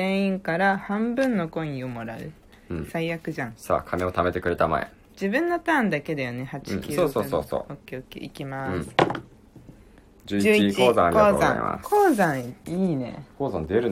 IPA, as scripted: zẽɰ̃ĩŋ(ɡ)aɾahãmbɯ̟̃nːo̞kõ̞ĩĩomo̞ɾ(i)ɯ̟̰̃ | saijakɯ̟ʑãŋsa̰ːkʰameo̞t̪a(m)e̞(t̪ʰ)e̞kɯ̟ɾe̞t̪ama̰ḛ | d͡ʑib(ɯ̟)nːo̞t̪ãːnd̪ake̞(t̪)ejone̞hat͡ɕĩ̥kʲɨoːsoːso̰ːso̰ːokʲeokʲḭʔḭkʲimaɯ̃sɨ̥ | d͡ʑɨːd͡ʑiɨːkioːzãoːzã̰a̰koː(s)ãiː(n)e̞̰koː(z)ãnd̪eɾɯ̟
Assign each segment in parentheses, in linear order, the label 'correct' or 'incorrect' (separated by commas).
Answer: incorrect, incorrect, correct, incorrect, incorrect, incorrect, incorrect, correct, correct